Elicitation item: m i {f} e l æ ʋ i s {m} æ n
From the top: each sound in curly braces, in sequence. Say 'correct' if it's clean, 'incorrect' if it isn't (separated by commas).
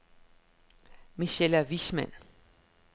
incorrect, correct